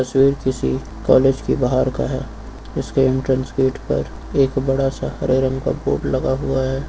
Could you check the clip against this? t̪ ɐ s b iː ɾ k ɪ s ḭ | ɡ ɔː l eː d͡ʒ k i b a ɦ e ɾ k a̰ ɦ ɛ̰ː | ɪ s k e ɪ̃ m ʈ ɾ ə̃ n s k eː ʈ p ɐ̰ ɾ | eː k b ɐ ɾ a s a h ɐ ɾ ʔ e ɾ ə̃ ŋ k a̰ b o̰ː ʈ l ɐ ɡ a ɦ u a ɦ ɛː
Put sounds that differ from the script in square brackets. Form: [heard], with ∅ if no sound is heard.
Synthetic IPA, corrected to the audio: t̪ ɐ s [w] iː ɾ k ɪ s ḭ | [k] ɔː l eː d͡ʒ k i b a ɦ [a] ɾ k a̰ ɦ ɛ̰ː | ɪ s k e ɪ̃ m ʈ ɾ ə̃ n s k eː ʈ p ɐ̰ ɾ | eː k b ɐ [ɽ] a s a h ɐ ɾ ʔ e ɾ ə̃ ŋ k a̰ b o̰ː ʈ l ɐ ɡ a ɦ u a ɦ ɛː